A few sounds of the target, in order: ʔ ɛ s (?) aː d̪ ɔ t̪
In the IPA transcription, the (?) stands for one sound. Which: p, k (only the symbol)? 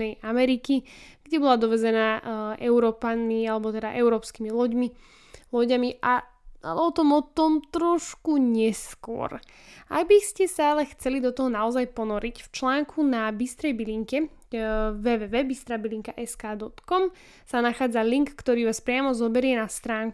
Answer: k